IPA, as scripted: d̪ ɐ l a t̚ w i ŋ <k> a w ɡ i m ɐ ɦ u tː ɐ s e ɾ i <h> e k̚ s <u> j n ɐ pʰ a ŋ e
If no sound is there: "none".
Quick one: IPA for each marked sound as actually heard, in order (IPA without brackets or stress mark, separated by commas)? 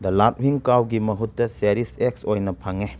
k, s, o